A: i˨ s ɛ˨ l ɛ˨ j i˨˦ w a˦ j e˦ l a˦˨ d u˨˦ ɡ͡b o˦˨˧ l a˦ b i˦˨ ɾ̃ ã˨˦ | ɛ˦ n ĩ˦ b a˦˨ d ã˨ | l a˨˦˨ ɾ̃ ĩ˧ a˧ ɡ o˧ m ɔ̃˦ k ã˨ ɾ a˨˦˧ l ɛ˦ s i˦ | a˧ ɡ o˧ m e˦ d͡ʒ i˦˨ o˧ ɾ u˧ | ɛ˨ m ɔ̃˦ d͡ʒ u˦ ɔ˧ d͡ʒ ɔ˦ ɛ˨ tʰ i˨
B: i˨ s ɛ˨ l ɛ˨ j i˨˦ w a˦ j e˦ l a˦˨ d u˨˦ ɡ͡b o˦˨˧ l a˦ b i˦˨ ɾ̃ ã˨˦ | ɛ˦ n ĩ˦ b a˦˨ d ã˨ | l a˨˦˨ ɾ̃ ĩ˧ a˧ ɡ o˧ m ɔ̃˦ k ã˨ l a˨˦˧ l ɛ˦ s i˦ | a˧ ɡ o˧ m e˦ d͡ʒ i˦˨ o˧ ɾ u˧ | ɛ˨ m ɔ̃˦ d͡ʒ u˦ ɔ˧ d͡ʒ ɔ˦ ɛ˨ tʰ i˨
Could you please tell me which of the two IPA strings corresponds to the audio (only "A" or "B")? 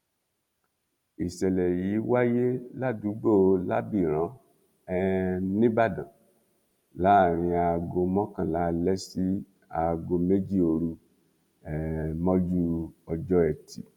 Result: B